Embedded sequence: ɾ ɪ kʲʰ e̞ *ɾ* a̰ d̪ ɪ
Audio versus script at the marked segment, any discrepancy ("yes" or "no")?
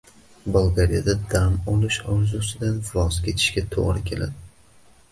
yes